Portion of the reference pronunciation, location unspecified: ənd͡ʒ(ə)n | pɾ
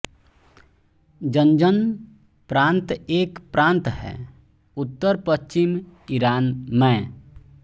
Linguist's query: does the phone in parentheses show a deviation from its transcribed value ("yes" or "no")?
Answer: no